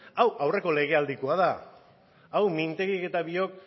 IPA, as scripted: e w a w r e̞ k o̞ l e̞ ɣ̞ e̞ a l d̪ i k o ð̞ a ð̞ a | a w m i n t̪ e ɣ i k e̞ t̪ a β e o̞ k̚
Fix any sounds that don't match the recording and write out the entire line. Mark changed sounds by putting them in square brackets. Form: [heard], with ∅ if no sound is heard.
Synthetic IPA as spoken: [a] w a w r e̞ k o̞ l e̞ ɣ̞ e̞ a l d̪ i k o [∅] a ð̞ a | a w m i n t̪ e ɣ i k e̞ t̪ a β [i] o̞ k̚